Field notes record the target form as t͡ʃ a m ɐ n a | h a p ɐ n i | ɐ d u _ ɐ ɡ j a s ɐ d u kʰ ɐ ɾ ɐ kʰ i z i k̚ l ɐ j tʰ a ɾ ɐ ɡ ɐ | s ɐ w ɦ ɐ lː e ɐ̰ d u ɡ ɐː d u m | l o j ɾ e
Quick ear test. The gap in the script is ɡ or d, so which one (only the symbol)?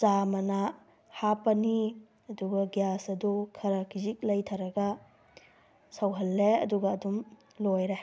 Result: ɡ